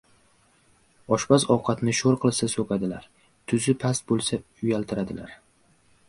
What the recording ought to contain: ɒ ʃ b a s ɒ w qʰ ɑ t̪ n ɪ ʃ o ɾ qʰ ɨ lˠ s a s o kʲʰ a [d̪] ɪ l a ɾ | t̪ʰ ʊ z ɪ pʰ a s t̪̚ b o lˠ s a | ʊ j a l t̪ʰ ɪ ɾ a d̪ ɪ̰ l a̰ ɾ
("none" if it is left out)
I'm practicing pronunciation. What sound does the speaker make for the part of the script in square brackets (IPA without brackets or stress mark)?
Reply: d̪